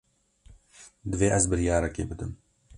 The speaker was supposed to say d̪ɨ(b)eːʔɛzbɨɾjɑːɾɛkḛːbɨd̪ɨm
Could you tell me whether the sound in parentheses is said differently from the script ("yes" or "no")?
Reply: yes